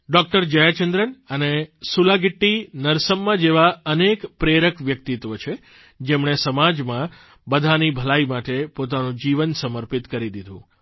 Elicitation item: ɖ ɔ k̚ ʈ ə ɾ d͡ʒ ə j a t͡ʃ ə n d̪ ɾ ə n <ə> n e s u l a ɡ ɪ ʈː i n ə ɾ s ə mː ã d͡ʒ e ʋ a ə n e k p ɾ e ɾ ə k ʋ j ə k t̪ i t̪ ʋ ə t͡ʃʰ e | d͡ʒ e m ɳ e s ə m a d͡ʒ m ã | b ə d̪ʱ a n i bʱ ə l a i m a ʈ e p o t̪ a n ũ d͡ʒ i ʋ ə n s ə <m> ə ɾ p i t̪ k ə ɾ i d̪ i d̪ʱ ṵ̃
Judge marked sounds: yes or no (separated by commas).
yes, yes